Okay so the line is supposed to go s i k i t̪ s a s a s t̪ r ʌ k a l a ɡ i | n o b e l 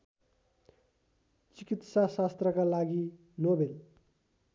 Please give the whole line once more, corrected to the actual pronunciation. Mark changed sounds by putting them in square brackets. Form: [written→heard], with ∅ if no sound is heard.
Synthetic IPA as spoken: [s→t͡s] i k i t̪ s a s a s t̪ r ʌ k a l a ɡ i | n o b e l